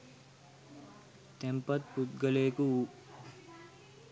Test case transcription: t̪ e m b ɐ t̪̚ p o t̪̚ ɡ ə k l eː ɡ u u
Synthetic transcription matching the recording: t̪ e m p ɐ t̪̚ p u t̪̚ ɡ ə l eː k u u